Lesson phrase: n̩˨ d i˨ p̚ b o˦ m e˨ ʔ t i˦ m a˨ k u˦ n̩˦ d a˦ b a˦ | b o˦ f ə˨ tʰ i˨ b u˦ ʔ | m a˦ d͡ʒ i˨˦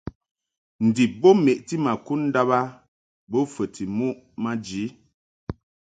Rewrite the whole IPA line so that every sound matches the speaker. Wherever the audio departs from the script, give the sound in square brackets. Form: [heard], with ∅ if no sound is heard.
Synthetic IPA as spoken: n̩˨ d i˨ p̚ b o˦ m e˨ ʔ t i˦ m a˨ k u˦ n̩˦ d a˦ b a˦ | b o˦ f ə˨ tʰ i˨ [m] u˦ ʔ | m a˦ d͡ʒ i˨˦